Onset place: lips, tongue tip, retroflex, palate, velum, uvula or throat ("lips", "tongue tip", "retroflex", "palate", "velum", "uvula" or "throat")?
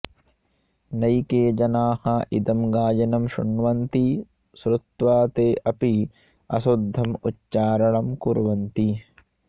tongue tip